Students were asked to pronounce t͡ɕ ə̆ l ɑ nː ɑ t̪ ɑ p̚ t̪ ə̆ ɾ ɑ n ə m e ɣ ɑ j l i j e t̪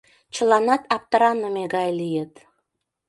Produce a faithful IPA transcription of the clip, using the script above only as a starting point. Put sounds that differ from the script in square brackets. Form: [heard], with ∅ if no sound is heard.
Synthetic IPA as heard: t͡ɕ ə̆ l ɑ [n] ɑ t̪ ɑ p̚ t̪ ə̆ ɾ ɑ n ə m e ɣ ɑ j l i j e t̪